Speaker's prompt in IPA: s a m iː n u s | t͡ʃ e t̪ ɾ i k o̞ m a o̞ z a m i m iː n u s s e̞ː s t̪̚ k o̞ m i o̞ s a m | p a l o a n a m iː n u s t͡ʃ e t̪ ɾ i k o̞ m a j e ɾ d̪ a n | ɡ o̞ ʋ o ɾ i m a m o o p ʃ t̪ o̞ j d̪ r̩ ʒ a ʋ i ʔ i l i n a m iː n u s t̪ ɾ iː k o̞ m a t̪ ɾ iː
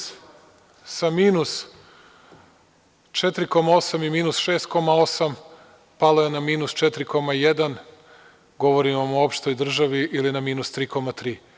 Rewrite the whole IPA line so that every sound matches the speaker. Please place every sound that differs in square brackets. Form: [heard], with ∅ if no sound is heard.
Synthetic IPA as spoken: s a m iː n u s | t͡ʃ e t̪ ɾ i k o̞ m a o̞ [s] a m i m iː n u s [ʃ] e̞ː s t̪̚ k o̞ m [a] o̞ s a m | p a l o [e] n a m iː n u s t͡ʃ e t̪ ɾ i k o̞ m a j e [∅] d̪ a n | ɡ o̞ ʋ o ɾ i m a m o o p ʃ t̪ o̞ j d̪ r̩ ʒ a ʋ i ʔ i l i n a m iː n u s t̪ ɾ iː k o̞ m a t̪ ɾ iː